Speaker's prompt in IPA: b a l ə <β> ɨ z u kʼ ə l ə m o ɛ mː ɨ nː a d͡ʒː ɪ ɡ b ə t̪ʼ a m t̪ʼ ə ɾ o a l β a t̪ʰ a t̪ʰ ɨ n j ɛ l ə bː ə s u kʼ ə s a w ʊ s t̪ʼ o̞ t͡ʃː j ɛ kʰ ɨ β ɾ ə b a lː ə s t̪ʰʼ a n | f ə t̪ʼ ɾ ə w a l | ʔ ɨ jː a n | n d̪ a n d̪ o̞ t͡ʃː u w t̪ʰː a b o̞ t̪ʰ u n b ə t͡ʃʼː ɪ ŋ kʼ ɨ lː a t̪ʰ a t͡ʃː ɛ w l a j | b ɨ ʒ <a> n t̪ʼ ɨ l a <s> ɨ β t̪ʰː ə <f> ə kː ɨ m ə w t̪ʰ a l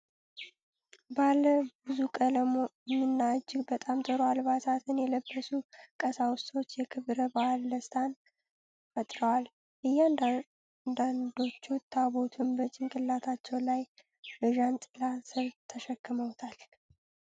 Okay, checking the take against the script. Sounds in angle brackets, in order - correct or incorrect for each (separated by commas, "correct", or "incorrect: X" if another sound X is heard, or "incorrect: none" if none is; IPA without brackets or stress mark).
incorrect: b, correct, correct, incorrect: ʃ